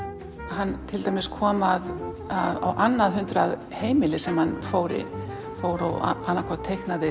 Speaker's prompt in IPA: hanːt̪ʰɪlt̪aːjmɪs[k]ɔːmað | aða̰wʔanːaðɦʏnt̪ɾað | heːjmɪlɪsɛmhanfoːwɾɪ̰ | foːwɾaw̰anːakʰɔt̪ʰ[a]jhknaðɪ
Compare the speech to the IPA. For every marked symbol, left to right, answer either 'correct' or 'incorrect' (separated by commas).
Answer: incorrect, incorrect